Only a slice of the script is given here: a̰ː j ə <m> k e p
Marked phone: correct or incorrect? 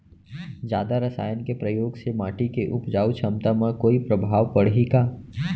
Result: incorrect